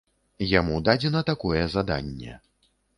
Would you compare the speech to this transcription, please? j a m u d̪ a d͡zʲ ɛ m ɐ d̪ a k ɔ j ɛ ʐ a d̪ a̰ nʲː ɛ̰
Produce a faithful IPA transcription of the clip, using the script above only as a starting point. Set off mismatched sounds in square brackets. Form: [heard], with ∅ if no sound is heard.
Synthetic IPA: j a m u d̪ a d͡zʲ ɛ [n] ɐ [t̪] a k ɔ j ɛ [z] a d̪ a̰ nʲː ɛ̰

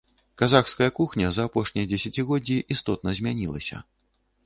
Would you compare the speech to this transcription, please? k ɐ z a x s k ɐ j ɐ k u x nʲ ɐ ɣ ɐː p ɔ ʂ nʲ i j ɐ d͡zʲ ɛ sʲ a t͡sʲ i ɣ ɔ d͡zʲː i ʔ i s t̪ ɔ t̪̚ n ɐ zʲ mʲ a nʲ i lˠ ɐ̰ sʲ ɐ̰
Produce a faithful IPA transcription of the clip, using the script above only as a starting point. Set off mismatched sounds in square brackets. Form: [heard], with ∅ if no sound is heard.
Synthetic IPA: k [a] z a x s k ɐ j ɐ k u x nʲ ɐ [z] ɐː p ɔ ʂ nʲ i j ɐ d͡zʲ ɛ sʲ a t͡sʲ i ɣ ɔ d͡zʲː i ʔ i s t̪ ɔ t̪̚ n ɐ zʲ mʲ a nʲ i lˠ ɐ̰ sʲ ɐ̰

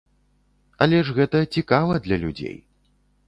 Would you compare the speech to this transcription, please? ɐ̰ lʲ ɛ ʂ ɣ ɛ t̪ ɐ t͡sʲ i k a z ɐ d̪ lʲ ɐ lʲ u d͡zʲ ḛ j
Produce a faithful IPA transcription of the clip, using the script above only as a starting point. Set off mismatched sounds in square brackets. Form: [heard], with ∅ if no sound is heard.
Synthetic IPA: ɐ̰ lʲ ɛ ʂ ɣ ɛ t̪ ɐ t͡sʲ i k a [v] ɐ d̪ lʲ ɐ lʲ u d͡zʲ ḛ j

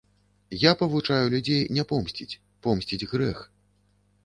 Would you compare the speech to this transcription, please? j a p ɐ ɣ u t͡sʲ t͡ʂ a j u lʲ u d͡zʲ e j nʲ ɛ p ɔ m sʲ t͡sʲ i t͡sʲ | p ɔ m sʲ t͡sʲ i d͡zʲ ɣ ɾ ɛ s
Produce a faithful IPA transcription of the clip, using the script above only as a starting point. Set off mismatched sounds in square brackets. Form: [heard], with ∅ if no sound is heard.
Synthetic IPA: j a p ɐ [v] u [∅] t͡ʂ a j u lʲ u d͡zʲ e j nʲ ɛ p ɔ m sʲ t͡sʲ i t͡sʲ | p ɔ m sʲ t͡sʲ i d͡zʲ ɣ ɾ ɛ [x]

